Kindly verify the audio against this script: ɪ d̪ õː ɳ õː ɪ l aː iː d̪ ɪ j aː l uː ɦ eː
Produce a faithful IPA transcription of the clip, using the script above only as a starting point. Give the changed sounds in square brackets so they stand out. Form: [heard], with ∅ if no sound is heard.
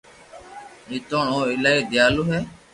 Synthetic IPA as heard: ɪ [t̪] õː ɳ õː ɪ l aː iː d̪ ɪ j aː l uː ɦ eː